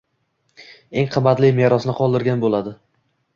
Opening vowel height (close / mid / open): mid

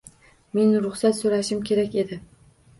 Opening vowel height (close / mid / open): mid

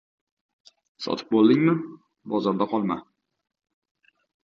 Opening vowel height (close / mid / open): open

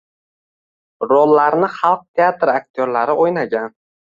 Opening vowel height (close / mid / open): mid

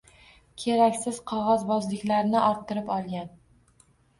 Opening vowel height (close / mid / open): mid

